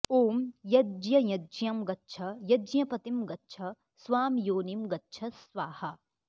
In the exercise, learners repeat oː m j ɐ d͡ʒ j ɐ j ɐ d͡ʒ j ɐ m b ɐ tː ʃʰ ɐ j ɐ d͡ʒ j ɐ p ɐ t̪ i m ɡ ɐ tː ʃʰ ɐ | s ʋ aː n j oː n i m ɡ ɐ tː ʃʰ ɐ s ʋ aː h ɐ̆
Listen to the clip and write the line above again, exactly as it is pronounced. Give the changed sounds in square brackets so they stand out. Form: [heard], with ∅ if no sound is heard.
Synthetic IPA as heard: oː m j ɐ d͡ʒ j ɐ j ɐ d͡ʒ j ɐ m [ɡ] ɐ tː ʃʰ ɐ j ɐ d͡ʒ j ɐ p ɐ t̪ i m ɡ ɐ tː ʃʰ ɐ | s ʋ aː [m] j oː n i m ɡ ɐ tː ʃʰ ɐ s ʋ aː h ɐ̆